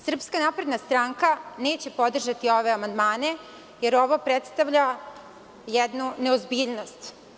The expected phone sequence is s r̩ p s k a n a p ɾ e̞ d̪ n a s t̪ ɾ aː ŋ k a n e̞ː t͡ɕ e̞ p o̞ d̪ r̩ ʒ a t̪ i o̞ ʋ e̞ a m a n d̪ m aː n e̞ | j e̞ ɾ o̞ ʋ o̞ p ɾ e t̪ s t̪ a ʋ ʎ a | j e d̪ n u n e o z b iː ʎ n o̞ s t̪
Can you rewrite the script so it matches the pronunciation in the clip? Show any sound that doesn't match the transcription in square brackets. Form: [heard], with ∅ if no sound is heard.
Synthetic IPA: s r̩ p s k a n a p ɾ e̞ d̪ n a s t̪ ɾ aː ŋ k a n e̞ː t͡ɕ e̞ p o̞ d̪ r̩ ʒ a t̪ i o̞ ʋ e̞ a m a n d̪ m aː n e̞ | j e̞ ɾ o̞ ʋ o̞ p ɾ e t̪ s t̪ a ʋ ʎ a | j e d̪ n u n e o z b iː ʎ n o̞ s t̪